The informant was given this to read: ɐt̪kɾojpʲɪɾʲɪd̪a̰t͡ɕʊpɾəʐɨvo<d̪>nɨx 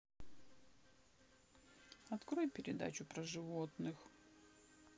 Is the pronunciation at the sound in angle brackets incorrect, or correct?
incorrect